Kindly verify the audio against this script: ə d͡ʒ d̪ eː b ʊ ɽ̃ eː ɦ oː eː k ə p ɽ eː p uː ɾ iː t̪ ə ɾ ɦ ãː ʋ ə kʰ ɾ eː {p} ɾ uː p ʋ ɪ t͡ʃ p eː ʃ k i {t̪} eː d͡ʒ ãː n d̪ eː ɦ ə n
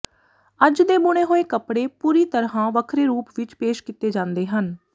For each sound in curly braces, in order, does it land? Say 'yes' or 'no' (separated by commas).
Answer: no, yes